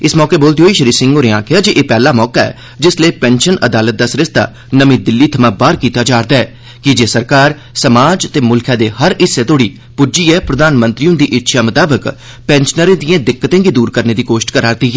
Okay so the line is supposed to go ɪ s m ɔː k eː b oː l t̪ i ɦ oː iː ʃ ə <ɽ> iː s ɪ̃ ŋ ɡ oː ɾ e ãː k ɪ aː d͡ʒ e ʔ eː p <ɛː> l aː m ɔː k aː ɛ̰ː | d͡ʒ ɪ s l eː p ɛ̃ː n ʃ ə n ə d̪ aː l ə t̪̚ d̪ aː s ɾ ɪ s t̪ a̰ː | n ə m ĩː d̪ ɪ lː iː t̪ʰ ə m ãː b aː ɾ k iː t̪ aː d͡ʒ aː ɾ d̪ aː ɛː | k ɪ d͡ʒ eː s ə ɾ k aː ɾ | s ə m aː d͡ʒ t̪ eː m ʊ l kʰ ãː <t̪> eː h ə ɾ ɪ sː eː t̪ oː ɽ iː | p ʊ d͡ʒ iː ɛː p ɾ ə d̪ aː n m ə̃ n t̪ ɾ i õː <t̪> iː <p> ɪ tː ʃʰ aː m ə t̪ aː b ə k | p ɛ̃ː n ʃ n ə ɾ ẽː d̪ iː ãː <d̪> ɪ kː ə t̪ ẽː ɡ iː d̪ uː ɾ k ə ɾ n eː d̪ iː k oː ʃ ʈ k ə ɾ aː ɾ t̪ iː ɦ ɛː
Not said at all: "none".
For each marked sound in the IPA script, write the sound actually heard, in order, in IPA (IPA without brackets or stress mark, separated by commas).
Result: ɾ, ɛː, d̪, d̪, ʔ, d̪